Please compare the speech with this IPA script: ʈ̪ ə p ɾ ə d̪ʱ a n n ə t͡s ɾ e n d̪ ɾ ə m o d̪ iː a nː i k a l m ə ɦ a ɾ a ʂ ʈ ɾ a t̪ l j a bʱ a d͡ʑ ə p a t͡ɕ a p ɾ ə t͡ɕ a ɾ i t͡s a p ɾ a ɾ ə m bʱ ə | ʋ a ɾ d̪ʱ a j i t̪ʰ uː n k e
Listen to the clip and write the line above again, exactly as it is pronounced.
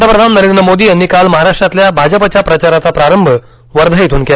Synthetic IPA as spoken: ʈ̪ ə p ɾ ə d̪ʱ a n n ə ɾ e n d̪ ɾ ə m o d̪ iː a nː i k a l m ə ɦ a ɾ a ʂ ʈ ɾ a t̪ l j a bʱ a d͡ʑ ə p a t͡ɕ a p ɾ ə t͡ɕ a ɾ a t͡s a p ɾ a ɾ ə m bʱ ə | ʋ ə ɾ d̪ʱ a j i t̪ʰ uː n k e